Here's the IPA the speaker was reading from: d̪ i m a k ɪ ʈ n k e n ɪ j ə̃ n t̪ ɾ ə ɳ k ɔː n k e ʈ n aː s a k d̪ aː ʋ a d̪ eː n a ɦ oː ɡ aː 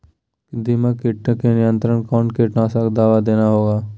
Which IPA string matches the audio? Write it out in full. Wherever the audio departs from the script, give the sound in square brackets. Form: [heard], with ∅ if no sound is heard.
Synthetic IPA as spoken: d̪ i m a k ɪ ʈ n k e n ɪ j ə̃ n t̪ ɾ ə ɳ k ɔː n k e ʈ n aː s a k d̪ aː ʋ a d̪ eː n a ɦ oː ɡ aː